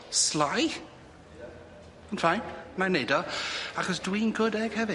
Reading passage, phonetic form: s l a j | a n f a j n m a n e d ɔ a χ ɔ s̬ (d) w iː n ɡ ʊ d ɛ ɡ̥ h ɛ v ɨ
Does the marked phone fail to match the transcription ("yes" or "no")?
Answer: no